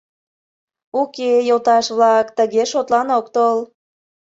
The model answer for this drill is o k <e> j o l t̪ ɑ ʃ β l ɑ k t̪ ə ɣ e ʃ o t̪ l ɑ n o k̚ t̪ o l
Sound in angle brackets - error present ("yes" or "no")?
no